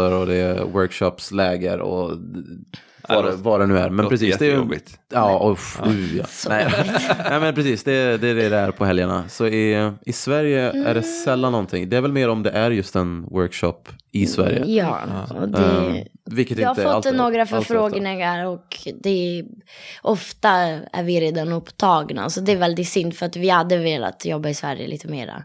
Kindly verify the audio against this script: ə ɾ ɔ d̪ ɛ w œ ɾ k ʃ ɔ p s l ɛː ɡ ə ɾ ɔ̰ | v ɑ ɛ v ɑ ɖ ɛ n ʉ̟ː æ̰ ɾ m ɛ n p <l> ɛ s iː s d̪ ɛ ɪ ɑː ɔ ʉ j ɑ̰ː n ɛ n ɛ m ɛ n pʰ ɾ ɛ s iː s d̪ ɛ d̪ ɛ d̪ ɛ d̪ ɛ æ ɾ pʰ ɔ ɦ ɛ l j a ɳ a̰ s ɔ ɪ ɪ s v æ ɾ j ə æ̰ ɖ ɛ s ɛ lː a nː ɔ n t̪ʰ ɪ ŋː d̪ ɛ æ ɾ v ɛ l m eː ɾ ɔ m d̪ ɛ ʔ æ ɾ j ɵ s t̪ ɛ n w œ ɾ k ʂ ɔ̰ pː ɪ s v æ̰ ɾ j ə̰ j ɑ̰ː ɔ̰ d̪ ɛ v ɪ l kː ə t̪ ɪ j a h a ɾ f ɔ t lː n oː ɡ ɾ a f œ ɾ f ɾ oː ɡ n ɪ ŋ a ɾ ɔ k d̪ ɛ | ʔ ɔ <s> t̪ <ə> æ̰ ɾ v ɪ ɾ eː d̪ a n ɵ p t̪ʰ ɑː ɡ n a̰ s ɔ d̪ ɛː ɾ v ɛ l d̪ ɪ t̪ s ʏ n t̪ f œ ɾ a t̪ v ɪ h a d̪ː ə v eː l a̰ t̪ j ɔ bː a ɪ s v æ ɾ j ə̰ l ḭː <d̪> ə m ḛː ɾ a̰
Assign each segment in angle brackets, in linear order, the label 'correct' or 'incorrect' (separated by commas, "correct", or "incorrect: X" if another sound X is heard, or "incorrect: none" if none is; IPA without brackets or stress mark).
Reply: incorrect: ɾ, incorrect: f, incorrect: a, incorrect: t̪